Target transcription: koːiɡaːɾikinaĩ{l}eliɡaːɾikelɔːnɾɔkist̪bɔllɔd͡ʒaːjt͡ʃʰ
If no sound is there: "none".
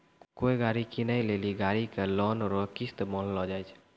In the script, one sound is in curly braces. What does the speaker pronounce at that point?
l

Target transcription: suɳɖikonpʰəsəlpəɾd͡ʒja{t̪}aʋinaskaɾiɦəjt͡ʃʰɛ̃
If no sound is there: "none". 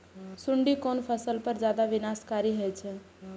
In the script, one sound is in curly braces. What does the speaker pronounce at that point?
d̪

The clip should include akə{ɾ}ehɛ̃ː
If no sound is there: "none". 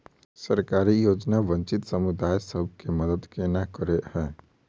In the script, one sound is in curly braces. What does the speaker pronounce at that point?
ɾ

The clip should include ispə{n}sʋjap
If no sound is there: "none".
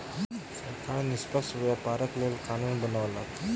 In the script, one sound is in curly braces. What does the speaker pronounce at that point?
none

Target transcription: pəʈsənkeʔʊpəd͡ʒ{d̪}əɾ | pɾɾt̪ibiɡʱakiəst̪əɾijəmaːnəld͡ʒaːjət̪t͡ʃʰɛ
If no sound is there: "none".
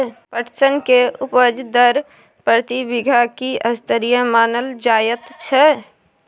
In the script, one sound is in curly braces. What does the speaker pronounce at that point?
d̪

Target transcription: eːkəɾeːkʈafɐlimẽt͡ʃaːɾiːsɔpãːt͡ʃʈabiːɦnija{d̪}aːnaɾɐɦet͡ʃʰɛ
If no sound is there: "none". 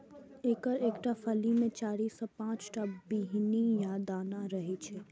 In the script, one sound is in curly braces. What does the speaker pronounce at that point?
d̪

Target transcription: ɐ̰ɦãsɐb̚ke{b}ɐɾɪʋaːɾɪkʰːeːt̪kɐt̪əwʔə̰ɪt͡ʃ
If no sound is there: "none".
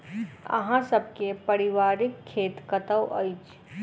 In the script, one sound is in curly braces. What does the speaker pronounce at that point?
p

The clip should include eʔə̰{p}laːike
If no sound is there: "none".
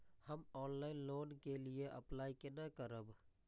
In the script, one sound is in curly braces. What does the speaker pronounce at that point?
p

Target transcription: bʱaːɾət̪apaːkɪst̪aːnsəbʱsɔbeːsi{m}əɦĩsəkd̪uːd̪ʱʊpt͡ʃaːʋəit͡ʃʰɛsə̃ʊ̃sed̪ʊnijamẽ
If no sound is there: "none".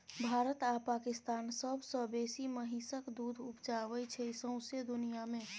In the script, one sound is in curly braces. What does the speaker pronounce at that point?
m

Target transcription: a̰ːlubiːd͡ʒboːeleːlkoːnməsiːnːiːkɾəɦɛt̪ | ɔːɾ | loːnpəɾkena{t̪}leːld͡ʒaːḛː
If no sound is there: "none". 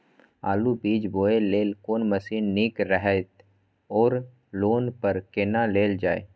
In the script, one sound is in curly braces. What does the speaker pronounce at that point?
none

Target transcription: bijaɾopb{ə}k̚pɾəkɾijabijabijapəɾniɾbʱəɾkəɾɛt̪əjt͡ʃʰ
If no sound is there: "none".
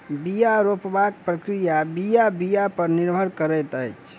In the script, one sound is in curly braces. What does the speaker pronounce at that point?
a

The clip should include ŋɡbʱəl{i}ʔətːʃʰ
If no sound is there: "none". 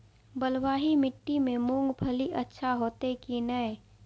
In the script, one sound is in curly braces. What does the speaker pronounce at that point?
i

